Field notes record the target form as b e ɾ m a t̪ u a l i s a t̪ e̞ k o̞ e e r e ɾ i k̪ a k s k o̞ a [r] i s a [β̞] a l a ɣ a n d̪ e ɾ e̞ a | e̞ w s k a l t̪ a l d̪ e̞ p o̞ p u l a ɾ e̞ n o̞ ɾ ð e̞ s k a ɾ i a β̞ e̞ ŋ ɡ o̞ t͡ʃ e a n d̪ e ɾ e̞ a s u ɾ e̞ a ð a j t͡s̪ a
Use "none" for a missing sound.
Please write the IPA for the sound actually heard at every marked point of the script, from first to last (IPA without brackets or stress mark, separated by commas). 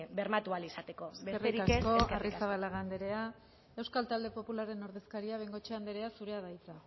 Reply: r, β̞